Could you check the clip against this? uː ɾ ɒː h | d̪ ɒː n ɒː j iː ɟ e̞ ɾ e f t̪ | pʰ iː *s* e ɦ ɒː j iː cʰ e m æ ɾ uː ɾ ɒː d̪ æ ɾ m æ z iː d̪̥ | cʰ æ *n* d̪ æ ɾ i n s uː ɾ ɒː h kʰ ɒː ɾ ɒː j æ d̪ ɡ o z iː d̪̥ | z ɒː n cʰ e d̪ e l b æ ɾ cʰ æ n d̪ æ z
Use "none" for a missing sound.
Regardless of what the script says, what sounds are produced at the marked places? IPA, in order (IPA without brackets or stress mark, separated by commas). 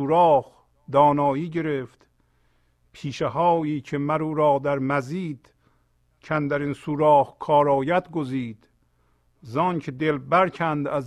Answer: ʃ, n